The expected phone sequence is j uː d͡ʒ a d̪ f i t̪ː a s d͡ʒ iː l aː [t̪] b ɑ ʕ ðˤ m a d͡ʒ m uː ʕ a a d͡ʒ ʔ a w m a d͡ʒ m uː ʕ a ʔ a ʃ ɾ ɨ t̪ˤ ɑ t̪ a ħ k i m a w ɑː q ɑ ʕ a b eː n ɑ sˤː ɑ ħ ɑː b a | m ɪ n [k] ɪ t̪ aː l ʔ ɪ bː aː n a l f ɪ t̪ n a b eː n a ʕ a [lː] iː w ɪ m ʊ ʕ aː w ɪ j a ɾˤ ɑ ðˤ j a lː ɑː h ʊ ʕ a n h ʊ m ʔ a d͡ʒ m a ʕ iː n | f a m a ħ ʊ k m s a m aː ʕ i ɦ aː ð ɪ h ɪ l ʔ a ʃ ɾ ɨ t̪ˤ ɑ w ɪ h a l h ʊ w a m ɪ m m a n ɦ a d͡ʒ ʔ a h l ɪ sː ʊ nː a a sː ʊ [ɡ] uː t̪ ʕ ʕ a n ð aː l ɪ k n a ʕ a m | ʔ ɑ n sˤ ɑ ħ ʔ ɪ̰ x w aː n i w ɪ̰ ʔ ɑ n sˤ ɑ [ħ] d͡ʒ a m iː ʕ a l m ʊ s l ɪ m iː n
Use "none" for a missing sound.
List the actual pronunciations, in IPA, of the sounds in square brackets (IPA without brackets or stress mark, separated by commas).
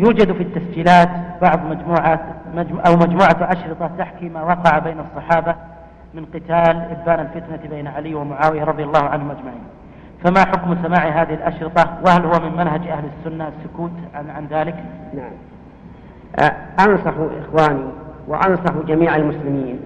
t̪, q, l, k, ħ